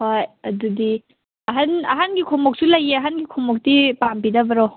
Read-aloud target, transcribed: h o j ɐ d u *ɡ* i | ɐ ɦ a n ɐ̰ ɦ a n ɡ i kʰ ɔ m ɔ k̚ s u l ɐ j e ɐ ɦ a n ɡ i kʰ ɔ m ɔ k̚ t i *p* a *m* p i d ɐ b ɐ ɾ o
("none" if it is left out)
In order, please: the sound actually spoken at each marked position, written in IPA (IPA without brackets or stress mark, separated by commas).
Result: d, p, m